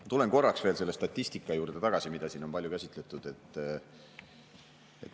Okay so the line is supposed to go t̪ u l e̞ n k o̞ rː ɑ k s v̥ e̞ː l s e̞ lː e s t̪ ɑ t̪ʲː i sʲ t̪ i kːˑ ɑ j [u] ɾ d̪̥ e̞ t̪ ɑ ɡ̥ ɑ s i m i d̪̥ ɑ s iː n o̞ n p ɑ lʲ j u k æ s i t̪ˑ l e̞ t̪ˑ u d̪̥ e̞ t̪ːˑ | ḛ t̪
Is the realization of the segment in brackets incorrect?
yes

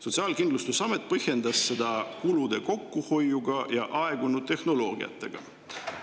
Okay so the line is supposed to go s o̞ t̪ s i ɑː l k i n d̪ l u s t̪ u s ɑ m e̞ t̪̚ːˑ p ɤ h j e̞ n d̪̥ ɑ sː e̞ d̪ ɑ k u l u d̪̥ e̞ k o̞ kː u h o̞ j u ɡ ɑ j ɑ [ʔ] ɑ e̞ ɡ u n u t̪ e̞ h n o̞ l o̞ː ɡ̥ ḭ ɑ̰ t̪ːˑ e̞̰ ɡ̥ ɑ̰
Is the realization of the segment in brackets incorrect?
no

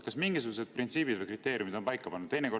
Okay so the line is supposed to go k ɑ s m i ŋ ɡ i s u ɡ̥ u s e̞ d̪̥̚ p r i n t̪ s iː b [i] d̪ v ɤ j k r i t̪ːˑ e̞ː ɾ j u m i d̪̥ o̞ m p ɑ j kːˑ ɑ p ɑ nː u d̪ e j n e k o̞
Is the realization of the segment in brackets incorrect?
no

